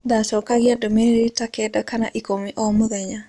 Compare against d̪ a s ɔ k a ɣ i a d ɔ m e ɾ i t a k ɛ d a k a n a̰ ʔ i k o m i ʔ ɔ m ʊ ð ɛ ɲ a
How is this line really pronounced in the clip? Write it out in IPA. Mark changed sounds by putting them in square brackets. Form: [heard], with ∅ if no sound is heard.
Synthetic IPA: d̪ a s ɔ k a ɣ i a d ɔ m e ɾ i t a k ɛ d a k a n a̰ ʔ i k o m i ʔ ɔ m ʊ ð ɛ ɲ a